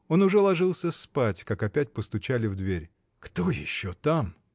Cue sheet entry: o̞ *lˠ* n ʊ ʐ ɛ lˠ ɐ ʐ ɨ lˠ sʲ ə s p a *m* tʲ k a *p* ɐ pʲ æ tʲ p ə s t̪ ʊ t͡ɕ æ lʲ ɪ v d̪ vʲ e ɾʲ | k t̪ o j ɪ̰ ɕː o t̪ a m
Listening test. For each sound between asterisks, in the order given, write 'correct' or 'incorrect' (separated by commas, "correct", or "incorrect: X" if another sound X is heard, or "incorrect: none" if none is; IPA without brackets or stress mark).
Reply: incorrect: none, incorrect: none, incorrect: k